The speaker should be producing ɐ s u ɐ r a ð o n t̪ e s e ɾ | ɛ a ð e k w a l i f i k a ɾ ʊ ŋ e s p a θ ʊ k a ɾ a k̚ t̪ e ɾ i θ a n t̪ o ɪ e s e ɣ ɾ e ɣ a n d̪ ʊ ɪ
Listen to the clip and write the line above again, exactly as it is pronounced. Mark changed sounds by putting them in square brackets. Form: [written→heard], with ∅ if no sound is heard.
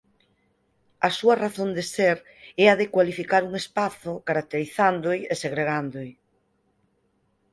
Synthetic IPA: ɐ s u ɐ r a [ð→θ] o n [t̪→d̪] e s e ɾ | ɛ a ð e k w a l i f i k a ɾ [ʊ→u] ŋ e s p a θ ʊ k a ɾ a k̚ t̪ e ɾ i θ a n [t̪→d̪] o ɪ e s e ɣ ɾ e ɣ a n d̪ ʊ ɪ